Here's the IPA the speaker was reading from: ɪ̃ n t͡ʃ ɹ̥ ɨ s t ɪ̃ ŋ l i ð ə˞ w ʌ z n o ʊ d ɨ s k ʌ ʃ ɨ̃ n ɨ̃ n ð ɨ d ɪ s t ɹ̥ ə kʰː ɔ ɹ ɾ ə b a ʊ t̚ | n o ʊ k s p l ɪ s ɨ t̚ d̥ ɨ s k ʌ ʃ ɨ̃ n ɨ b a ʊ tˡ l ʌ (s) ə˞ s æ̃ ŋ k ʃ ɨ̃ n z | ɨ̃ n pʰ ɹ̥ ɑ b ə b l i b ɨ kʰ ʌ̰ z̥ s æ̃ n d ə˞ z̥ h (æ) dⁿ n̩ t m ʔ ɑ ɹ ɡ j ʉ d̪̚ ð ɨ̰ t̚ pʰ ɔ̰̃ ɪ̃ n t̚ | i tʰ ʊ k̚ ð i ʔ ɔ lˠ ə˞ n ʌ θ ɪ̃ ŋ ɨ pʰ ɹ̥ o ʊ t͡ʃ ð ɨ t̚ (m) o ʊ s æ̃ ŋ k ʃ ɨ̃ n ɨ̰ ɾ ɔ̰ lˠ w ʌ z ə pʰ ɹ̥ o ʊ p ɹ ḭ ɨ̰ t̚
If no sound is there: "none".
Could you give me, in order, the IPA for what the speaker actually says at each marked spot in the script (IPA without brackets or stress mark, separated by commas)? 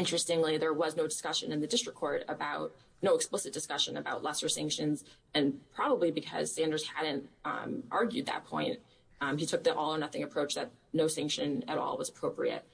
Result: s, æ, n